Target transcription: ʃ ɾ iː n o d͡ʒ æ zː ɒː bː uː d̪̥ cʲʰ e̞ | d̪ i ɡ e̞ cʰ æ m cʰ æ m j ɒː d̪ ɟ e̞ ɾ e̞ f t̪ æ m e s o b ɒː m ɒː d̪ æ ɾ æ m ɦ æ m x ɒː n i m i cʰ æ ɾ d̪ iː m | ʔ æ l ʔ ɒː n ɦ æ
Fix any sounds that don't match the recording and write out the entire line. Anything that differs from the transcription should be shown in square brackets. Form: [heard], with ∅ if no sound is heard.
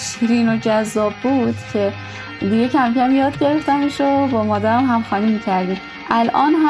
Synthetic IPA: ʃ ɾ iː n o d͡ʒ æ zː ɒː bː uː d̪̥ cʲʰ e̞ | d̪ i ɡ e̞ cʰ æ m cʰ æ m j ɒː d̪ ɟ e̞ ɾ e̞ f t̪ æ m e [ʃ] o b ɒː m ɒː d̪ æ ɾ æ m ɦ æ m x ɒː n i m i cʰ æ ɾ d̪ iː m | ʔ æ l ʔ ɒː n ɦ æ